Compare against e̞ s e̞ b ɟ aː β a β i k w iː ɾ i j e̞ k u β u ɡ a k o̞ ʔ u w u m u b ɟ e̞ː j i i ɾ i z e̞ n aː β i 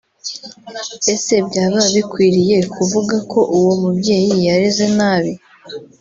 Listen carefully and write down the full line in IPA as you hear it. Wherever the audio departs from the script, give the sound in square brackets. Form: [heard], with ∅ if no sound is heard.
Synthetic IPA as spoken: e̞ s e̞ b ɟ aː β a β i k w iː ɾ i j e̞ k u [v] u ɡ a k o̞ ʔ u w [o] m u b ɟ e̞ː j i [a] ɾ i z e̞ n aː β i